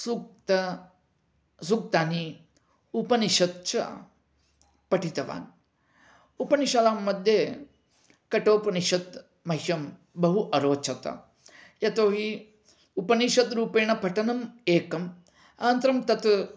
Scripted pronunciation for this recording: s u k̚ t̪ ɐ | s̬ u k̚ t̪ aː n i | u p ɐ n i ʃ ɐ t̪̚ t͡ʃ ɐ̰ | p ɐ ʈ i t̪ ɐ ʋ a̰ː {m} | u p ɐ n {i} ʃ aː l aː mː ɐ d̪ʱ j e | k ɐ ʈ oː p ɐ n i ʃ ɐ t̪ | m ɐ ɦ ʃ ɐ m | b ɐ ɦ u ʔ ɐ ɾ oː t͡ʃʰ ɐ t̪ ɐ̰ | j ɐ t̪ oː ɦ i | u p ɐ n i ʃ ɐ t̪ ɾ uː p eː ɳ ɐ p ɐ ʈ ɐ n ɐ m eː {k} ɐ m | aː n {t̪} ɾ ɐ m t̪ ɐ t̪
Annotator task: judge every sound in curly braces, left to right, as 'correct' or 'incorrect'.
incorrect: n, correct, correct, correct

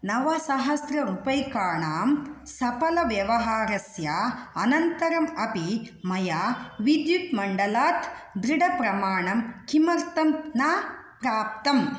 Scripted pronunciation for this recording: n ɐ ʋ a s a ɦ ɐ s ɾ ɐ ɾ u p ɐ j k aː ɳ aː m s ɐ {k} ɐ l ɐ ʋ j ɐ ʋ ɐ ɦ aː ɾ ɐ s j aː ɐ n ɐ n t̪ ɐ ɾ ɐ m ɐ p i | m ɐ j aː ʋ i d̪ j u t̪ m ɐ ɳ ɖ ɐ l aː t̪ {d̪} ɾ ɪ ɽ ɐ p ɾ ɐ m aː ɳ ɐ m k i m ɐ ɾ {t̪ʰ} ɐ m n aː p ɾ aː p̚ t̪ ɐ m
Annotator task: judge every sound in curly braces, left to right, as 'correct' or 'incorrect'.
incorrect: p, correct, incorrect: t̪

